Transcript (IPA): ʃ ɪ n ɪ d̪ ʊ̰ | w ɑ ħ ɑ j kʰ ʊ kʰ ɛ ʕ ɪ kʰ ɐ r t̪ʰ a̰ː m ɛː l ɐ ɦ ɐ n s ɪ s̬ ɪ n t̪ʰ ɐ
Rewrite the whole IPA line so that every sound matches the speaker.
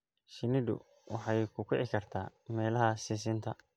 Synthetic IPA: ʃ ɪ n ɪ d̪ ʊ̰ | w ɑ ħ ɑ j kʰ ʊ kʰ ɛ ʕ ɪ kʰ ɐ r t̪ʰ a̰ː m ɛː l ɐ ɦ ɐ s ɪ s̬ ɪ n t̪ʰ ɐ